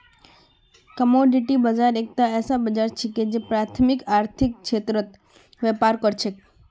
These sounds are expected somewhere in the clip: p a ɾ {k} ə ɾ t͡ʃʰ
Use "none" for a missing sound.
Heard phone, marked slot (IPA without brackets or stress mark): k